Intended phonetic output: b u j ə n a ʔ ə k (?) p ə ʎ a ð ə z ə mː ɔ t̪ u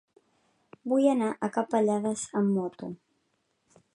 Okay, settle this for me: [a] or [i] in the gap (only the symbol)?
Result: a